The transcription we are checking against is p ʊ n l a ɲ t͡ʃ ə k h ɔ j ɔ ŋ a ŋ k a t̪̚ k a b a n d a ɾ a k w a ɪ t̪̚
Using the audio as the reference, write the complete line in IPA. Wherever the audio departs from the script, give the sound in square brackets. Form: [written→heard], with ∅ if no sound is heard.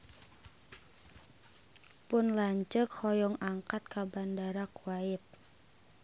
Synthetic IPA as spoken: p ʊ n l a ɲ t͡ʃ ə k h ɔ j ɔ ŋ a ŋ k a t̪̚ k a b a n d a ɾ a k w a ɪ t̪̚